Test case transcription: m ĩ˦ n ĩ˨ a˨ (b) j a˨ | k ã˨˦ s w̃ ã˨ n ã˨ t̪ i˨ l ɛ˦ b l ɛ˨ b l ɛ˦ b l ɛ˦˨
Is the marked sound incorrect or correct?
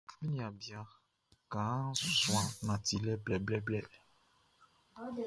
correct